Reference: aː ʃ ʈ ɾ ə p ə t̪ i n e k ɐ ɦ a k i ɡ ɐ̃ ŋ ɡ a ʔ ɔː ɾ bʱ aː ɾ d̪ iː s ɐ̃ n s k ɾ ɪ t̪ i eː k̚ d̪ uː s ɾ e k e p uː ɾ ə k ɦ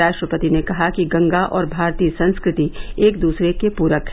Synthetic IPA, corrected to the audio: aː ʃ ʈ ɾ ə p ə t̪ i n e k ɐ ɦ a k i ɡ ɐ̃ ŋ ɡ a ʔ ɔː ɾ bʱ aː ɾ t̪ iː s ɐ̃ n s k ɾ ɪ t̪ i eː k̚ d̪ uː s ɾ e k e p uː ɾ ə k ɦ